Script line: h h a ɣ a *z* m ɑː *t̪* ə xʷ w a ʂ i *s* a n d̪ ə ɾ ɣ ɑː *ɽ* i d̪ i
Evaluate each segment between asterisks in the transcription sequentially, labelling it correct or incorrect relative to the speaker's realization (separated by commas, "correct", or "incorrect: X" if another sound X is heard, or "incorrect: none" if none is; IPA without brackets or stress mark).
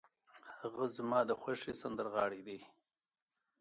correct, incorrect: d̪, correct, correct